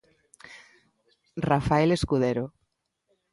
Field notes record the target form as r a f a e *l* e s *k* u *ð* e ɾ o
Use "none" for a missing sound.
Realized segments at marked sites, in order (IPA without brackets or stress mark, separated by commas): l, k, ð